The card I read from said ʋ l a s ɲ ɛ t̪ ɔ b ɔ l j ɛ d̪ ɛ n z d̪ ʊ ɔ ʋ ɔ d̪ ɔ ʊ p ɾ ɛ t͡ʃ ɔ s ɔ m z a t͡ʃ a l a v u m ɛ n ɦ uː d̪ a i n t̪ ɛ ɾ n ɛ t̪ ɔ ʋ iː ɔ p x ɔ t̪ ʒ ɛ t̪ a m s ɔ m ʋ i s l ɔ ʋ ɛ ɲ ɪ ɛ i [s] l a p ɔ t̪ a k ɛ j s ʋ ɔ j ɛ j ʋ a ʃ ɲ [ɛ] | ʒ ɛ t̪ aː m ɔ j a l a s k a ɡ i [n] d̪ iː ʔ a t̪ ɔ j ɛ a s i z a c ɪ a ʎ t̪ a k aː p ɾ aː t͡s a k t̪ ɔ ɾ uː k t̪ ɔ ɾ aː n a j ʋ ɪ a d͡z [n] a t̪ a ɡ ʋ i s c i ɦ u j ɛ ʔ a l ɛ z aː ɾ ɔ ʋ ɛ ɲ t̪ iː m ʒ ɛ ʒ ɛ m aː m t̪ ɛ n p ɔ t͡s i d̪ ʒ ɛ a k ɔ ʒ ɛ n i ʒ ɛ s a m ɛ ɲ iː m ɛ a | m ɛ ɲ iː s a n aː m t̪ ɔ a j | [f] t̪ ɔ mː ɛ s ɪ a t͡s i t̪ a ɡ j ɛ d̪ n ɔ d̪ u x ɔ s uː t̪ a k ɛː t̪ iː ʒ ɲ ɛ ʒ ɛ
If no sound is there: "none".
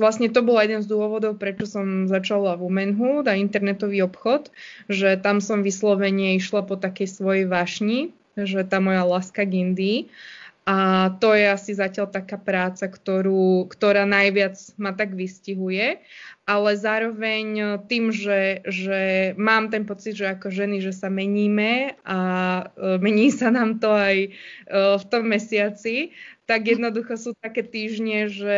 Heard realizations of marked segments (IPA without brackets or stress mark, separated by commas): ʃ, i, n, m, f